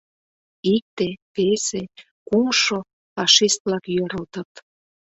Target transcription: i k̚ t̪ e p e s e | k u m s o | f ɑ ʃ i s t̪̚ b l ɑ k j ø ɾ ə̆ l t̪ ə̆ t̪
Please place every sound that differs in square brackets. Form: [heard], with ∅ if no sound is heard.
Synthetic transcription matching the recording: i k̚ t̪ e p e s e | k u m [ʃ] o | f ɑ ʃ i s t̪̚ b l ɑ k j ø ɾ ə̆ l t̪ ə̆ t̪